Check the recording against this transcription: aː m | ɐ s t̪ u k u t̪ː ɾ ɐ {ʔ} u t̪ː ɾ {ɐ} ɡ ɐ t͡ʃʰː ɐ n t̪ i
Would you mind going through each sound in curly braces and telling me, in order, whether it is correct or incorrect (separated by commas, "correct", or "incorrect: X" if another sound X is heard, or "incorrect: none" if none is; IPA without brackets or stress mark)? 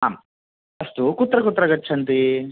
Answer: incorrect: k, correct